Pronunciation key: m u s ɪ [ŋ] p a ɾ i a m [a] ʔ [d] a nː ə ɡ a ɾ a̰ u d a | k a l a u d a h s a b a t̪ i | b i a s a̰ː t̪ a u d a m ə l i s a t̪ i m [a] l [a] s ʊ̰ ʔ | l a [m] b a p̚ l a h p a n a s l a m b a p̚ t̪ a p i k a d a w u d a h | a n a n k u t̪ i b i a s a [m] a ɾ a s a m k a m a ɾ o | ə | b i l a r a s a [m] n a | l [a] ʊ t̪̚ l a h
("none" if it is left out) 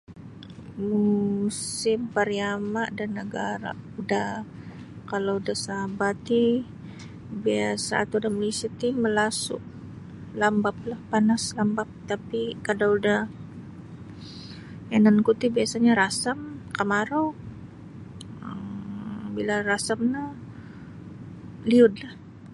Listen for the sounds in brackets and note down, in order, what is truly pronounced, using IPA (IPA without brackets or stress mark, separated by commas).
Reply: m, a, d, ə, a, m, ɲ, m, i